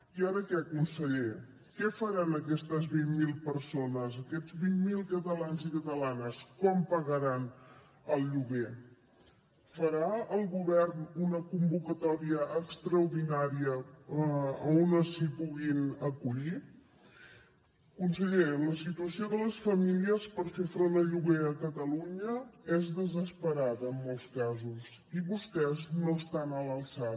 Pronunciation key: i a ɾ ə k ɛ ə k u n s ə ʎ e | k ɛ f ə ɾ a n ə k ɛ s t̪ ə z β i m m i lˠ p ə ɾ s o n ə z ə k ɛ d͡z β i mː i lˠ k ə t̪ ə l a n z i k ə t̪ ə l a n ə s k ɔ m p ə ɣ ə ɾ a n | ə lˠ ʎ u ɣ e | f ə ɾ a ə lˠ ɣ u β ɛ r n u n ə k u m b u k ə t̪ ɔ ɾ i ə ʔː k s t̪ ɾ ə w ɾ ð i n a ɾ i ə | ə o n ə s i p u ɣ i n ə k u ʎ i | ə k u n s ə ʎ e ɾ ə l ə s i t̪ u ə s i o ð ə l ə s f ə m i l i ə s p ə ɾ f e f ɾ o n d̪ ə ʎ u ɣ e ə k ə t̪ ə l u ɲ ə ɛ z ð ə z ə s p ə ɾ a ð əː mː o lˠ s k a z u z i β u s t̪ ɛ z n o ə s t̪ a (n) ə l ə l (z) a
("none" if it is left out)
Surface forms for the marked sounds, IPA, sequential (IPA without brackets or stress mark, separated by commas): n, s